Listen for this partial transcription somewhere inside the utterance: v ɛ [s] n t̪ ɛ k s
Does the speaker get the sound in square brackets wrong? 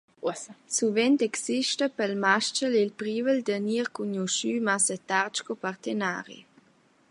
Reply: yes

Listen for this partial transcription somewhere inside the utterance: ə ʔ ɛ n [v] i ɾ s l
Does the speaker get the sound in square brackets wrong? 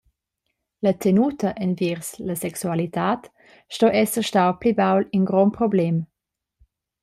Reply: no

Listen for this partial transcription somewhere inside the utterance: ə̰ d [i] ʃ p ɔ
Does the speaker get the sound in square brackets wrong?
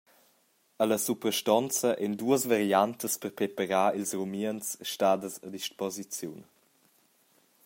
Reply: no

